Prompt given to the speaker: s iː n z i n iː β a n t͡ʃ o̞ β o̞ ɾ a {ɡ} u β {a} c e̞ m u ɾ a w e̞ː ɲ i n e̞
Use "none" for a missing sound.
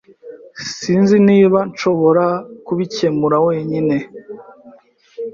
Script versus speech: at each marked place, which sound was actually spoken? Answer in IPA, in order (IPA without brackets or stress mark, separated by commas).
k, i